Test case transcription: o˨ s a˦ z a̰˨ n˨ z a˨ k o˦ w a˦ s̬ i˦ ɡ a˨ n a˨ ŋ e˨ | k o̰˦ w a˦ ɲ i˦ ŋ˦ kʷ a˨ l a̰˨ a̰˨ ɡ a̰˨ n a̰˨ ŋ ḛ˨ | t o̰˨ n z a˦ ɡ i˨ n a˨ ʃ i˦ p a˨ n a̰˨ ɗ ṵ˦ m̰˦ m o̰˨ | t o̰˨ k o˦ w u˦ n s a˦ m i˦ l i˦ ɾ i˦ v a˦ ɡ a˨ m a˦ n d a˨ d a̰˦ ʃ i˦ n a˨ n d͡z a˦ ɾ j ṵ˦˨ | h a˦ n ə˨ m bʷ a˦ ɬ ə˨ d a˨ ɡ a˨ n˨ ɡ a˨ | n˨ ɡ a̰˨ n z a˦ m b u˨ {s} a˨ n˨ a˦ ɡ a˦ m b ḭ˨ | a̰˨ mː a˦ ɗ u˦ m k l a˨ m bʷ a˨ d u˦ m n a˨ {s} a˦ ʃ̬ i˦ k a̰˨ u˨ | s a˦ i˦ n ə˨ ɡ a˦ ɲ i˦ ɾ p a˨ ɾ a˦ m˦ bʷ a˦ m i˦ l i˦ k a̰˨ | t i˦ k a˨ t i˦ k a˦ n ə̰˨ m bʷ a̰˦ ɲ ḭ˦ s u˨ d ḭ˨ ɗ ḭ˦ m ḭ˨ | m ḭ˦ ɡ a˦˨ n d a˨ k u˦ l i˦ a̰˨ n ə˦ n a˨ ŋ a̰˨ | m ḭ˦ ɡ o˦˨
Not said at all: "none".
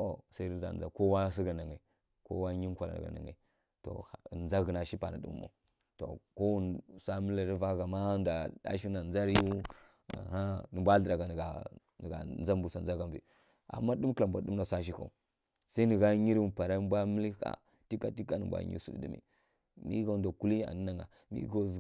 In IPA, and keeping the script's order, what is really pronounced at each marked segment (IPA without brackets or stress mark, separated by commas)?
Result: s, s